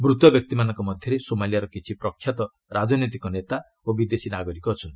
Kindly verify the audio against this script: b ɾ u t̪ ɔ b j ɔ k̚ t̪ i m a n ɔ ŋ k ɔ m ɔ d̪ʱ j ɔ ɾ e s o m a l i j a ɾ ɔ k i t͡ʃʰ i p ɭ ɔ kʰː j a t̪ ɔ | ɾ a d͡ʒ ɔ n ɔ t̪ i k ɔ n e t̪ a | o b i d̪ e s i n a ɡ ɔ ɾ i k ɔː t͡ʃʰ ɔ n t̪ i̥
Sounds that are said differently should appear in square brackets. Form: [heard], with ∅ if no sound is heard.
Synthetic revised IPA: b ɾ u t̪ ɔ b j ɔ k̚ t̪ i m a n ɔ ŋ k ɔ m ɔ d̪ʱ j ɔ ɾ e s o m a l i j a ɾ ɔ k i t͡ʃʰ i p [ɾ] ɔ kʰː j a t̪ ɔ | ɾ a d͡ʒ ɔ n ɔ t̪ i k ɔ n e t̪ a | o b i d̪ e s i n a ɡ ɔ ɾ i k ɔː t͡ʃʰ ɔ n t̪ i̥